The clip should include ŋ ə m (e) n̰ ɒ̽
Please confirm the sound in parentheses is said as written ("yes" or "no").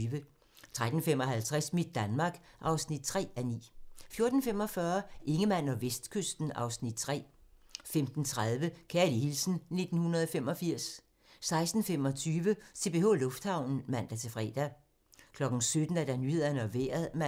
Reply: no